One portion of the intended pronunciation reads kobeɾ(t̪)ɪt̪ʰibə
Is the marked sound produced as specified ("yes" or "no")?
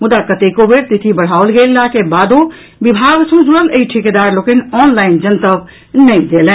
yes